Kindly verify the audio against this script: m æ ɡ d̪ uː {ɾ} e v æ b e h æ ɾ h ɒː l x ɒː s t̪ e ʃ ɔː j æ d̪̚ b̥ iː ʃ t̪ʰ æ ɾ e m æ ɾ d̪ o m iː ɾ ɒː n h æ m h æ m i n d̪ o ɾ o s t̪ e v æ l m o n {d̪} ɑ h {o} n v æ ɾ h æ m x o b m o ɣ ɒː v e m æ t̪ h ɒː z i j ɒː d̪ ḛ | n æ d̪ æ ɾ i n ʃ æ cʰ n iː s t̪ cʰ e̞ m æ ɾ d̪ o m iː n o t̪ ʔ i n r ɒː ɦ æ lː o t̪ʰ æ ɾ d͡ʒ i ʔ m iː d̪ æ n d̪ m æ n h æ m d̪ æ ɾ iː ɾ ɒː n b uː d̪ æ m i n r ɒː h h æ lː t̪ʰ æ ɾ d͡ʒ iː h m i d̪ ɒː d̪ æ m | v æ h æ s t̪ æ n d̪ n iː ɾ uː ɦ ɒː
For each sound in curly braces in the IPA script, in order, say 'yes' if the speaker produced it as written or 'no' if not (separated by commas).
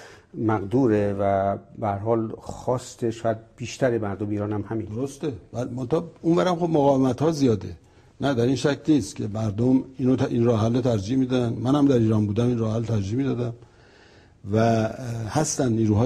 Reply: yes, no, no